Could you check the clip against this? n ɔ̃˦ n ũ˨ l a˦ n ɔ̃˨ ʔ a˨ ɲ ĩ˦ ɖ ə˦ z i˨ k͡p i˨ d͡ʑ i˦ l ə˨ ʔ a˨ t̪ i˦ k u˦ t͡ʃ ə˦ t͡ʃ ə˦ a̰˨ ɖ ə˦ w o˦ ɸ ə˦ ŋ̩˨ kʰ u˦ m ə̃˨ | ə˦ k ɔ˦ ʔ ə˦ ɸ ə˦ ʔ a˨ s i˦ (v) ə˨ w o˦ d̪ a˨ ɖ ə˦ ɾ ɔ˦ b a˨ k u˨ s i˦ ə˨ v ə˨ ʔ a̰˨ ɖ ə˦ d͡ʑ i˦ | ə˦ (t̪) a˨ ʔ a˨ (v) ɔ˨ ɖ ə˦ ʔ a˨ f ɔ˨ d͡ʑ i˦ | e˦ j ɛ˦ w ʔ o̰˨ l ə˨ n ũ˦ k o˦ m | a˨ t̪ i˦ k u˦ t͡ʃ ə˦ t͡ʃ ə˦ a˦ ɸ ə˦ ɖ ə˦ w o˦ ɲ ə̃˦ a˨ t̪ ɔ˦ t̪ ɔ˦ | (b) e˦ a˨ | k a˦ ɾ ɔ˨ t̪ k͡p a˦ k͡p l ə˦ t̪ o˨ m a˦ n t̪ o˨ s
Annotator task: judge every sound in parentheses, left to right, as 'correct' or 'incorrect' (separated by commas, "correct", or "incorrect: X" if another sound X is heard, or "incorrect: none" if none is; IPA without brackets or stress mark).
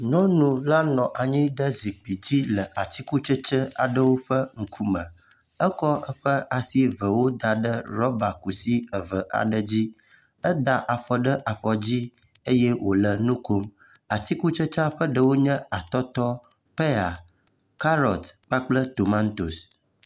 correct, incorrect: d̪, incorrect: f, incorrect: p